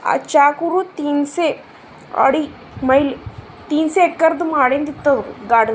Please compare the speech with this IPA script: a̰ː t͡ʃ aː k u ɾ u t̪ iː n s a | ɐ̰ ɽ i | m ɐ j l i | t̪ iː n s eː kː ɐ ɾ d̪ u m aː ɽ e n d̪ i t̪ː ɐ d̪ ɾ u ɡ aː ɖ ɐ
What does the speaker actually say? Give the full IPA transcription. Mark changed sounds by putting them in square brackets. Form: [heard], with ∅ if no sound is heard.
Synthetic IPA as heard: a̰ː t͡ʃ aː k u ɾ u t̪ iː n s [e] | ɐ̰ ɽ i | m ɐ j l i | t̪ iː n s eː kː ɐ ɾ d̪ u m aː ɽ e n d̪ i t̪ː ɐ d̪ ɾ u ɡ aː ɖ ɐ